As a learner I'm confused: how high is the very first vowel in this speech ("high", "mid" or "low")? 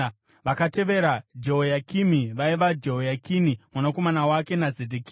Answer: low